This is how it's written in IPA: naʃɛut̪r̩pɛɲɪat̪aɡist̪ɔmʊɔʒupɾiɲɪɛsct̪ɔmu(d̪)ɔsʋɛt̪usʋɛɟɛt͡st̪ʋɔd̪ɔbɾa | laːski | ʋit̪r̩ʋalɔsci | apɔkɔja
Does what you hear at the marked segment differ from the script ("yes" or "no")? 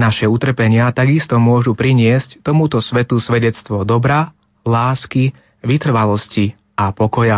yes